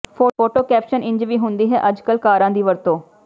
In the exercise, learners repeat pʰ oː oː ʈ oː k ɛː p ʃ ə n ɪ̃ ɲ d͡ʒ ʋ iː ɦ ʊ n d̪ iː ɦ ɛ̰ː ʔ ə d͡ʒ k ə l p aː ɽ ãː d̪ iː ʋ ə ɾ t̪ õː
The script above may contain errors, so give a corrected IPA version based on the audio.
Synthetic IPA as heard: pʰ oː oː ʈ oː k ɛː p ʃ ə n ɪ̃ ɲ d͡ʒ ʋ iː ɦ ʊ n d̪ iː ɦ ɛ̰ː ʔ ə d͡ʒ k ə l k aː ɾ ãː d̪ iː ʋ ə ɾ t̪ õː